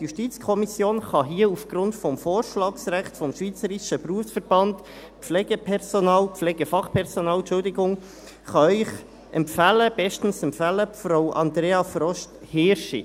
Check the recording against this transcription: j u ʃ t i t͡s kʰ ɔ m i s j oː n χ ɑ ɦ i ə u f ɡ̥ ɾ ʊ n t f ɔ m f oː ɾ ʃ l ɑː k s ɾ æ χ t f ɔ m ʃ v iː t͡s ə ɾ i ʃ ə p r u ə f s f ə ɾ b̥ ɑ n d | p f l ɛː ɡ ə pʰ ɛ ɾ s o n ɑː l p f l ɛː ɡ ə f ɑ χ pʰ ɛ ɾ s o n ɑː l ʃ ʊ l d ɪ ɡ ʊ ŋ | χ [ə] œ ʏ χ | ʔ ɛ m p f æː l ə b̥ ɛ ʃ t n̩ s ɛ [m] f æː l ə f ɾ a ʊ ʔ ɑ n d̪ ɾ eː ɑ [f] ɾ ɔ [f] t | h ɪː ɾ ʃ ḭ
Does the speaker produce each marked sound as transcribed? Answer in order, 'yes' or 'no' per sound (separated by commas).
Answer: no, yes, yes, no